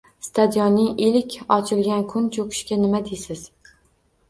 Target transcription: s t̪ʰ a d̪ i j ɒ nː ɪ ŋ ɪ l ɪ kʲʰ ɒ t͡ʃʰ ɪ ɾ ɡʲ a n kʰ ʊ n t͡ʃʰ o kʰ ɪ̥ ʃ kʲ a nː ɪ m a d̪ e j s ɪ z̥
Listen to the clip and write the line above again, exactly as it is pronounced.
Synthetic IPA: s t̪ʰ a d̪ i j ɒ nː ɪ ŋ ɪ l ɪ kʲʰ ɒ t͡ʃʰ ɪ l ɡʲ a n kʰ ʊ n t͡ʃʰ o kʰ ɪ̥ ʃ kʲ a n ɪ m a d̪ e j s ɪ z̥